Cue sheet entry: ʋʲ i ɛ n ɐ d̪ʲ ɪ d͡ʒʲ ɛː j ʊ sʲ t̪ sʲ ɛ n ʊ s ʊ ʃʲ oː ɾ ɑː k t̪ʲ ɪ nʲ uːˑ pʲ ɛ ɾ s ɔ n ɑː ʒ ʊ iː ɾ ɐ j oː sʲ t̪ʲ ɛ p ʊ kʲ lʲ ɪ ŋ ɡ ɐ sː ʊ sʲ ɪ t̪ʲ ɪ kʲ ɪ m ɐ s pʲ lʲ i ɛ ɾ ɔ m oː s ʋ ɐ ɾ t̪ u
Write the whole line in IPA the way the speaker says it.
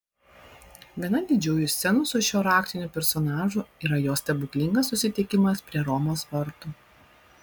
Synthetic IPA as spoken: ʋʲ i ɛ n ɐ d̪ʲ ɪ d͡ʒʲ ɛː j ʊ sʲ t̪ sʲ ɛ n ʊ s ʊ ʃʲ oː ɾ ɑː k t̪ʲ ɪ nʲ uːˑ pʲ ɛ ɾ s ɔ n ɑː ʒ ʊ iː ɾ ɐ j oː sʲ t̪ʲ ɛ b ʊ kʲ lʲ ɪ ŋ ɡ ɐ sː ʊ sʲ ɪ t̪ʲ ɪ kʲ ɪ m ɐ s pʲ ɾʲ i ɛ ɾ ɔ m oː s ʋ ɐ ɾ t̪ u